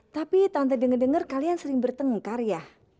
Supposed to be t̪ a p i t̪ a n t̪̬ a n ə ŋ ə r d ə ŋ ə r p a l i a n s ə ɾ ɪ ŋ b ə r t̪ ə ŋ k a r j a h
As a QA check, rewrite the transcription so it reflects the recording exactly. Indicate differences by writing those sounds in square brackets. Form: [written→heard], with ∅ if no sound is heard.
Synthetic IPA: t̪ a p i t̪ a n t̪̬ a [n→d] ə ŋ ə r d ə ŋ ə r [p→k] a l i a n s ə ɾ ɪ ŋ b ə r t̪ ə ŋ k a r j a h

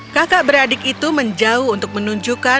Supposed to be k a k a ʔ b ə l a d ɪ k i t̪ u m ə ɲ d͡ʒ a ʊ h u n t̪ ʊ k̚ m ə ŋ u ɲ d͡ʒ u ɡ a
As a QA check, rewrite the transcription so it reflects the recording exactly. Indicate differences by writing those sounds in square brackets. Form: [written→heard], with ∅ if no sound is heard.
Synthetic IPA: k a k a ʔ b ə [l→ɾ] a d ɪ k i t̪ u m ə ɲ d͡ʒ a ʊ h u n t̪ ʊ k̚ m ə [ŋ→n] u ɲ d͡ʒ u [ɡ→k] a

